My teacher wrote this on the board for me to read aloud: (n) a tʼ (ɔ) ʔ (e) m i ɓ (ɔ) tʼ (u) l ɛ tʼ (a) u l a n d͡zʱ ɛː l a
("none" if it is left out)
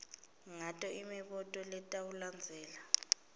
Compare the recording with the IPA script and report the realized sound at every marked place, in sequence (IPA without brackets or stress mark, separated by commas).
ŋ, ɔ, i, ɔ, ɔ, a